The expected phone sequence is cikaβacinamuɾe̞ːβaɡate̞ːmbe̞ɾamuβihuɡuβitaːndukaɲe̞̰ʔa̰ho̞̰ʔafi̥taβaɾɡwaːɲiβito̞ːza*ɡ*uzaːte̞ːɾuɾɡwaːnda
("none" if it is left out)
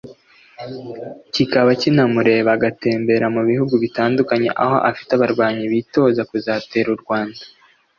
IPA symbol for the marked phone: k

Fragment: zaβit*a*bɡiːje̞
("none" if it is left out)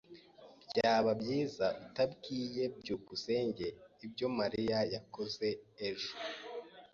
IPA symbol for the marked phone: a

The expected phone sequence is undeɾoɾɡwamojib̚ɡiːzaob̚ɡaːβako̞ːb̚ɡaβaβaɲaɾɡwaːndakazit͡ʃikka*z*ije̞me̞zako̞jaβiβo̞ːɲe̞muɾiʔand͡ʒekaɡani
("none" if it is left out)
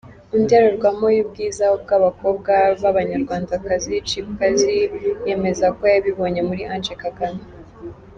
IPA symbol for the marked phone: z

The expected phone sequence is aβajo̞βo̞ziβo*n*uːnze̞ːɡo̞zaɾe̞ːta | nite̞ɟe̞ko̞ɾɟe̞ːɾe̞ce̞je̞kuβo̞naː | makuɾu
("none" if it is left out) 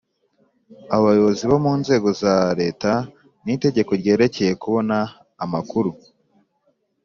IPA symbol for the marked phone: m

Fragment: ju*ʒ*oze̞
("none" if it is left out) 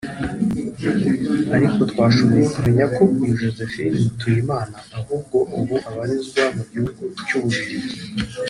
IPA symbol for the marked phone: ʒ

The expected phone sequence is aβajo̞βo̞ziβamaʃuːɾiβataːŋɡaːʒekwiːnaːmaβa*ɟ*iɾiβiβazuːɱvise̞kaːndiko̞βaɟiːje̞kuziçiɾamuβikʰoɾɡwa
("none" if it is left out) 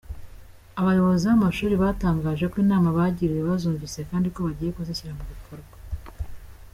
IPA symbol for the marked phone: ɟ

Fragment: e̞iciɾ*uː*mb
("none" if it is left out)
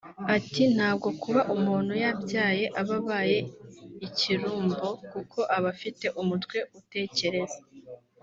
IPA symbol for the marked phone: uː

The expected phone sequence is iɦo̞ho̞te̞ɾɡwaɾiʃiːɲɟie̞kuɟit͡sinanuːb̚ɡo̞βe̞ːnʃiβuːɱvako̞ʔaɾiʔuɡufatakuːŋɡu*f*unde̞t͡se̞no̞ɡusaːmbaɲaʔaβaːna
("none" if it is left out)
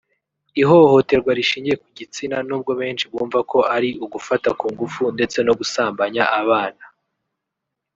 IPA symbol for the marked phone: f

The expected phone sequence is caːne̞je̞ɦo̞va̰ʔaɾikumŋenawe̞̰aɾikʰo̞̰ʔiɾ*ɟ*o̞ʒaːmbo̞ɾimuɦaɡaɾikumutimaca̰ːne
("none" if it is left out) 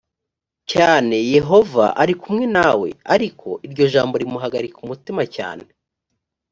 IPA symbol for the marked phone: ɟ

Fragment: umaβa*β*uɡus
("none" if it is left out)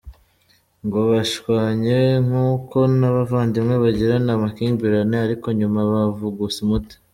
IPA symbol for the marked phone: v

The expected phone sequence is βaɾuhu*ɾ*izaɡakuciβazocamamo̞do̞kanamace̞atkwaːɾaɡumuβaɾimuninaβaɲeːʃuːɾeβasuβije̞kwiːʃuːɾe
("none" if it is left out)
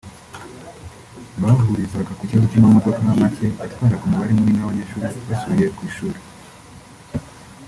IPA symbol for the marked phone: ɾ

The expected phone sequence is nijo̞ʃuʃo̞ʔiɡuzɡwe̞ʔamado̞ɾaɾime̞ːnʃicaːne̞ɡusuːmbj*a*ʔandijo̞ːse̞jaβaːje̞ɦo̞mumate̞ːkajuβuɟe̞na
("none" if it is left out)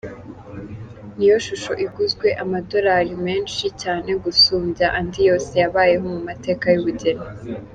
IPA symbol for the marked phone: a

